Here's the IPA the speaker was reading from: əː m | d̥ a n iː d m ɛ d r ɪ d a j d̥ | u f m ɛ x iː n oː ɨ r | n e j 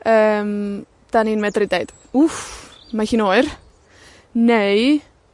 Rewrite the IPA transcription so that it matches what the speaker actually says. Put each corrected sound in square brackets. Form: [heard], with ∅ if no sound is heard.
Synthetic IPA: əː m | d̥ a n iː [n] m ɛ d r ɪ d [e] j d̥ | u f m [a] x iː n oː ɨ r | n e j